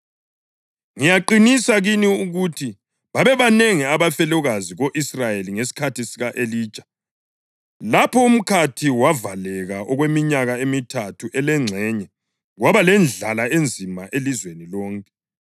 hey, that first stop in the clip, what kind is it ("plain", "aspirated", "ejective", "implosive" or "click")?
click